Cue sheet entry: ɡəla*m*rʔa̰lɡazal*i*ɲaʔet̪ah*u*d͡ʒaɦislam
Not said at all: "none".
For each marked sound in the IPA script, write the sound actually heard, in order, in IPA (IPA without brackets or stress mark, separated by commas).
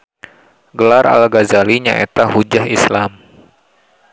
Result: none, i, u